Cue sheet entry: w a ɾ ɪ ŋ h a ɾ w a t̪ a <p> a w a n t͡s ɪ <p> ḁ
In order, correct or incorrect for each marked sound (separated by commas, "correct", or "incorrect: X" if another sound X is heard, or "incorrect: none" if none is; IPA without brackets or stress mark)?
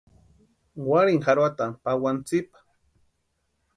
correct, correct